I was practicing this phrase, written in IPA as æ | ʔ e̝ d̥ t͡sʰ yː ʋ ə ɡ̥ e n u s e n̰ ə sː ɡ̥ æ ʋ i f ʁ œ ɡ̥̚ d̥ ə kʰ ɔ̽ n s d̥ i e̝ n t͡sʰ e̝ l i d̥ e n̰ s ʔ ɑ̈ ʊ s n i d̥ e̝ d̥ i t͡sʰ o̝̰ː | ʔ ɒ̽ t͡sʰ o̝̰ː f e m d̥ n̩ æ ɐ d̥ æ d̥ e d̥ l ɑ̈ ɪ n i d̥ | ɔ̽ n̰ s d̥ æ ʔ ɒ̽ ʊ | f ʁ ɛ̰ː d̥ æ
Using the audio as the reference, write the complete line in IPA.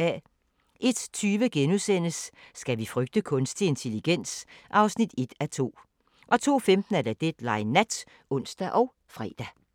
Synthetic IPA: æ | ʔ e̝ d̥ t͡sʰ yː ʋ ə ɡ̥ e n u s e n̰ ə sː ɡ̥ æ ʋ i f ʁ œ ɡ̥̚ d̥ ə kʰ ɔ̽ n s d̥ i e̝ n t͡sʰ e̝ l i ɡ̥ e n̰ s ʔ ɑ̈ ʊ s n i d̥ e̝ d̥ æ t͡sʰ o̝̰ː | ʔ ɒ̽ t͡sʰ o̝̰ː f e m d̥ n̩ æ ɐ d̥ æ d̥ e d̥ l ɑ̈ ɪ n æ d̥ | ɔ̽ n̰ s d̥ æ ʔ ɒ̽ ʊ | f ʁ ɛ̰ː d̥ æ

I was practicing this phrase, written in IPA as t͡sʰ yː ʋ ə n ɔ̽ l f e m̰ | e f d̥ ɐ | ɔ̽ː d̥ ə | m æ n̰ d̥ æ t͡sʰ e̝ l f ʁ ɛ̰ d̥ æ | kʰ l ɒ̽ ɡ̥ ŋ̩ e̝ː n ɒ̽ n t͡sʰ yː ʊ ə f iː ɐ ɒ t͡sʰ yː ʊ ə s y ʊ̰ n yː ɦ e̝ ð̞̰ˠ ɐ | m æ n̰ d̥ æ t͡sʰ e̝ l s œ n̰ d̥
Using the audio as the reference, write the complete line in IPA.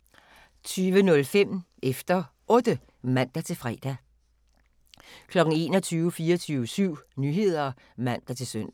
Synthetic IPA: t͡sʰ yː ʋ ə n ɔ̽ l f e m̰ | e f d̥ ɐ | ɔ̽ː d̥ ə | m æ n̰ d̥ æ t͡sʰ e̝ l f ʁ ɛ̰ d̥ æ | kʰ l ɒ̽ ɡ̥ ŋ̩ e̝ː n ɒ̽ t͡sʰ yː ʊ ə f iː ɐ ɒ t͡sʰ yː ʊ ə s y ʊ̰ n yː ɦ e̝ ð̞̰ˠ ɐ | m æ n̰ d̥ æ t͡sʰ e̝ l s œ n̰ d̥

